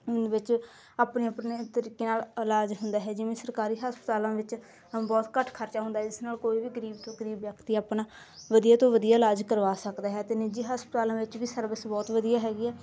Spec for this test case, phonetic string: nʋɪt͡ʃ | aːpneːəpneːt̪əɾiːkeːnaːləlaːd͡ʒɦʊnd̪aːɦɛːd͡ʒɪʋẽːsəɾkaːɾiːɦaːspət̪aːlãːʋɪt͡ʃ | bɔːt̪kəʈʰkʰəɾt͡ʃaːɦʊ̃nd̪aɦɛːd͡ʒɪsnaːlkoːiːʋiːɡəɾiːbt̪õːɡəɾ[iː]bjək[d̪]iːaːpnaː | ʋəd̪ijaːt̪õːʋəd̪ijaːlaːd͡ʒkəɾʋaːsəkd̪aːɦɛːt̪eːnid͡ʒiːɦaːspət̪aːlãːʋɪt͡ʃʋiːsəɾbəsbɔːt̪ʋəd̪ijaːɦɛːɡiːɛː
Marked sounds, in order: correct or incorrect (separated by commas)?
correct, incorrect